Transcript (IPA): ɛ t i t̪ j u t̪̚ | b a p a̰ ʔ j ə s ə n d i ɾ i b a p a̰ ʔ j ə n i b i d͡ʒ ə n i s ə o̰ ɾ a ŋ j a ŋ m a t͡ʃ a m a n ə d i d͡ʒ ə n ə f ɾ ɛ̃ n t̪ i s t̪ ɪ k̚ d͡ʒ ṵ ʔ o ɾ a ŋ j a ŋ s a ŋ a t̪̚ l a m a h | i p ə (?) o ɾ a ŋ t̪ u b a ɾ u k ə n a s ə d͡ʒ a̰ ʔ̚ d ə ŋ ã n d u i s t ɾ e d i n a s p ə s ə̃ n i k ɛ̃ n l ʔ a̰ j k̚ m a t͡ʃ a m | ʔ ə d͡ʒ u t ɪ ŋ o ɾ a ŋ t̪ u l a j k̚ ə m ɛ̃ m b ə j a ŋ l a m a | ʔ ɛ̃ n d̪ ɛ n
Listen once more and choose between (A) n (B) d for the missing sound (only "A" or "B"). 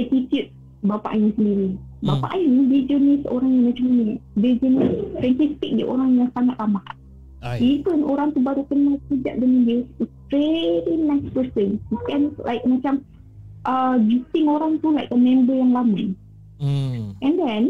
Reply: A